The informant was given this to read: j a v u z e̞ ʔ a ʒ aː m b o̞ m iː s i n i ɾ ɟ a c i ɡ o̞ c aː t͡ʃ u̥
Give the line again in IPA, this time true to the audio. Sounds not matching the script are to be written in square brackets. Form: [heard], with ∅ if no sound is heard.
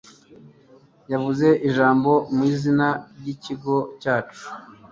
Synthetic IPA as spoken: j a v u z e̞ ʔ [i] ʒ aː m b o̞ m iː [z] i n [a] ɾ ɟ [i] c i ɡ o̞ c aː t͡ʃ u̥